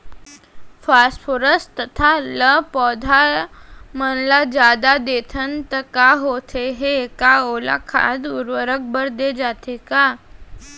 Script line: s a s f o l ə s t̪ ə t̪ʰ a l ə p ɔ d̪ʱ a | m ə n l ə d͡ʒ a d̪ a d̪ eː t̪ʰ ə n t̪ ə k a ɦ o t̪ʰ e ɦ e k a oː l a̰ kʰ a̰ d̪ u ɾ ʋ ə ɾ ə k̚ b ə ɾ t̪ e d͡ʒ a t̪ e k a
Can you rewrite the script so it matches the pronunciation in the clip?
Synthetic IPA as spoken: f a s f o ɾ ə s t̪ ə t̪ʰ a l ə p ɔ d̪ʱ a | m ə n l a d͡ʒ a d̪ a d̪ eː t̪ʰ ə n t̪ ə k a ɦ o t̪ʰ e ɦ e k a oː l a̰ kʰ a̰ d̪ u ɾ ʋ ə ɾ ə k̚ b ə ɾ d̪ e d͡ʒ a t̪ e k a